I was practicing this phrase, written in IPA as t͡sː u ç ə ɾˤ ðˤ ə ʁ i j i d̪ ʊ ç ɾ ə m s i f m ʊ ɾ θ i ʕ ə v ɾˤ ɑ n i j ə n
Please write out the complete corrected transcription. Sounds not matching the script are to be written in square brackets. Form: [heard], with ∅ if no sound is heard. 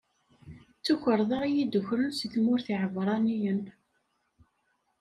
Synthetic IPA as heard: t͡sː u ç ə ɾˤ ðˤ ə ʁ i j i d̪ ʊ ç ɾ ə [n] s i [θ] m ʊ ɾ θ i ʕ ə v ɾˤ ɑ n i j ə n